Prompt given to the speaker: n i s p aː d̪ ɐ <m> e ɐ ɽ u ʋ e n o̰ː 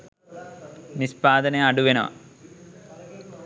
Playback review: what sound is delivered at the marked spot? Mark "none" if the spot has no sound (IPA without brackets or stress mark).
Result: n